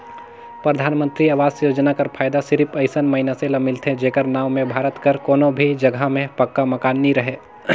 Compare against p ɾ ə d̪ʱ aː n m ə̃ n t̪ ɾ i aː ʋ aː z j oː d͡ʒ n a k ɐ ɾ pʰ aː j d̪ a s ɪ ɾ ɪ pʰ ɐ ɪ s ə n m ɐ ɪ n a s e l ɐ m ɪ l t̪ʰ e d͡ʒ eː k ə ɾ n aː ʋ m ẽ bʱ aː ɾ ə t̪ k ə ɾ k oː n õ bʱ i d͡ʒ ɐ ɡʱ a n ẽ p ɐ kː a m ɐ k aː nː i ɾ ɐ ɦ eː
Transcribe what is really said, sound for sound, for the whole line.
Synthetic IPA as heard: p ɾ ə d̪ʱ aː n m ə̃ n t̪ ɾ i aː ʋ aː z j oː d͡ʒ n a k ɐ ɾ pʰ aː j d̪ a s ɪ ɾ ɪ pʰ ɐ ɪ s ə n m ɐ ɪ n a s e l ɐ m ɪ l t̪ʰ e d͡ʒ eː k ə ɾ n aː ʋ m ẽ bʱ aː ɾ ə t̪ k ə ɾ k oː n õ bʱ i d͡ʒ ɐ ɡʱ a m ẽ p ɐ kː a m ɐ k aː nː i ɾ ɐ ɦ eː